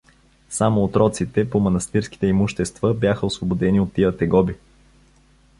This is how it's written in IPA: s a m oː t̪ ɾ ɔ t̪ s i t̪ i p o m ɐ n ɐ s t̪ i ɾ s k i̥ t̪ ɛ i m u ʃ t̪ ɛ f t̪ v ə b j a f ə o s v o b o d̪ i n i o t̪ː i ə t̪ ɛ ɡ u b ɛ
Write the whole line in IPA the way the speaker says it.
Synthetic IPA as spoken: s a m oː t̪ ɾ ɔ t̪ s i t̪ ɛ p o m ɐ n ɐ s t̪ i ɾ s k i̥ t̪ ɛ i m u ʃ t̪ ɛ s t̪ v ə b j a x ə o s v o b o d̪ ɛ n i o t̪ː i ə t̪ ɛ ɡ ɔ b i